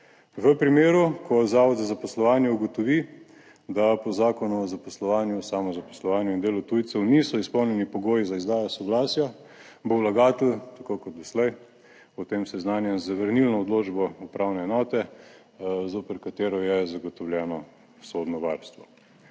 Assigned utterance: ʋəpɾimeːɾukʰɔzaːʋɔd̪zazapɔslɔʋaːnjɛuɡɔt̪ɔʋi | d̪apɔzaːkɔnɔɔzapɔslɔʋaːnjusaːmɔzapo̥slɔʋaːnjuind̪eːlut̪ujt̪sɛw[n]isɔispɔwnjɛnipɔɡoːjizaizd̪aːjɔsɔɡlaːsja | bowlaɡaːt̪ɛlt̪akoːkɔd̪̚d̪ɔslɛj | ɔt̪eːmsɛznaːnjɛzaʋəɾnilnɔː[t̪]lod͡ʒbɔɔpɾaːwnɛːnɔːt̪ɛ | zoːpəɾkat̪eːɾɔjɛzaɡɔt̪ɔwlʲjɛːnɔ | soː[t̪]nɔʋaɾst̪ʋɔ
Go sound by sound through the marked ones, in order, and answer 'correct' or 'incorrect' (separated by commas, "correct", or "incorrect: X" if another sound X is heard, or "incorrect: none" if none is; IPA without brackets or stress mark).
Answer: correct, incorrect: d̪, incorrect: d̪